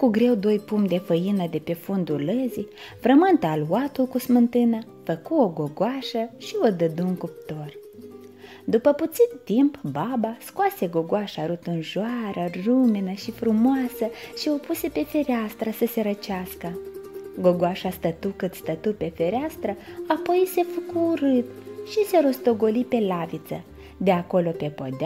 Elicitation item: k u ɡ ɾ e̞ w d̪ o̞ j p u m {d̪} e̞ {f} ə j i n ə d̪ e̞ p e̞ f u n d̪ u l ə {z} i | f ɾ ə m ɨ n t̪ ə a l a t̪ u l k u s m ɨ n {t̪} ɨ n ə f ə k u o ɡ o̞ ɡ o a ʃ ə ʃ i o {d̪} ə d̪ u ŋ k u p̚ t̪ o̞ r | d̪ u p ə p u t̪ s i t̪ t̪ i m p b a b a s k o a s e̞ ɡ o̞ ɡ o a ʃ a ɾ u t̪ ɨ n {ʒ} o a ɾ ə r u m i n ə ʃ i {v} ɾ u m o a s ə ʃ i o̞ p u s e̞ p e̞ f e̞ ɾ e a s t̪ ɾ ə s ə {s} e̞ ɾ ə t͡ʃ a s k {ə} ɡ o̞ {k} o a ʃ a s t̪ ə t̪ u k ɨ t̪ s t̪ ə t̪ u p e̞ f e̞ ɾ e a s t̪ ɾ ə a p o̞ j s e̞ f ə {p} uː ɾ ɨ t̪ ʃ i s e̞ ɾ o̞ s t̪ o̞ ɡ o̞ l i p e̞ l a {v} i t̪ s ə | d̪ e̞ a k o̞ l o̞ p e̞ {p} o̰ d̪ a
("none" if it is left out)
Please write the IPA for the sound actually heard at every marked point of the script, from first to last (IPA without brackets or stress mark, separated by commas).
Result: d̪, f, z, t̪, d̪, ʒ, f, s, ə, ɡ, k, v, p